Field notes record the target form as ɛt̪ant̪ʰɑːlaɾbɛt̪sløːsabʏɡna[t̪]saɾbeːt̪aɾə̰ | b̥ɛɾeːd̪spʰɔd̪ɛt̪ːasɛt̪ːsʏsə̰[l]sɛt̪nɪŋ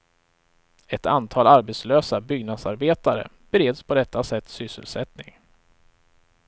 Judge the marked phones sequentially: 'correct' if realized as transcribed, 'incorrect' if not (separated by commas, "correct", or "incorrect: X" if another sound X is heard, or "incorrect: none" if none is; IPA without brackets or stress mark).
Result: incorrect: d̪, correct